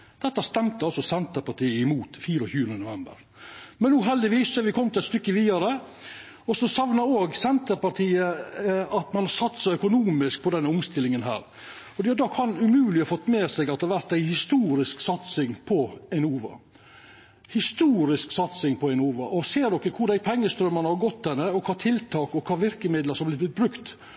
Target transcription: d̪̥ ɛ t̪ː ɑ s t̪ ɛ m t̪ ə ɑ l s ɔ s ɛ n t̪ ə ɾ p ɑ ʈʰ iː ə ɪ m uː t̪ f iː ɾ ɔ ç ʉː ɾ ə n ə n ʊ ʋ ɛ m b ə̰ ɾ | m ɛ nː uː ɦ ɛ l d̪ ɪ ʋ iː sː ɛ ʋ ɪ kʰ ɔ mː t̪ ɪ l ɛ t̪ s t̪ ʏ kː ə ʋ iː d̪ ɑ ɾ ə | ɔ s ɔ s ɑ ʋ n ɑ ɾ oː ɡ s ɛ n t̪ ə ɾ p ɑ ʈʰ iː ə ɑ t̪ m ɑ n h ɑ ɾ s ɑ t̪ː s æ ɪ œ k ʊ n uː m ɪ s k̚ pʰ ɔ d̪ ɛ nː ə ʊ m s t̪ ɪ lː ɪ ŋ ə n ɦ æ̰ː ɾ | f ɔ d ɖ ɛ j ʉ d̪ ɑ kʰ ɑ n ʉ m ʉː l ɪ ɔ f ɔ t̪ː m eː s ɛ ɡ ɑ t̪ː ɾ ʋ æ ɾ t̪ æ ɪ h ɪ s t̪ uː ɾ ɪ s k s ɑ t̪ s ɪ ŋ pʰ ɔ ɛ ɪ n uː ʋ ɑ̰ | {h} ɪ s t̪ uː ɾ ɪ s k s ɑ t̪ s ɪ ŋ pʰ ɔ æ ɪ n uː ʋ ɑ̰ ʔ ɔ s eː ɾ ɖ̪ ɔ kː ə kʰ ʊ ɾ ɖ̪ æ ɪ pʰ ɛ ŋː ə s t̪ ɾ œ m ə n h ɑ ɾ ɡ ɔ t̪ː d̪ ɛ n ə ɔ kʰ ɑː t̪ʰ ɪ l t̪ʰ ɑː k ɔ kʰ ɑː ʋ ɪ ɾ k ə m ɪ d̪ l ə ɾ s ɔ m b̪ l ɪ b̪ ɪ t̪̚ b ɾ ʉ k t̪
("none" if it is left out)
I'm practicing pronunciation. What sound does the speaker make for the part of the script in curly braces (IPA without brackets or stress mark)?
h